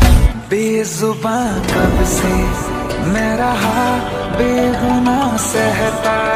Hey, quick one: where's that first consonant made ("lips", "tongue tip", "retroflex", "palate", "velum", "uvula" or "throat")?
lips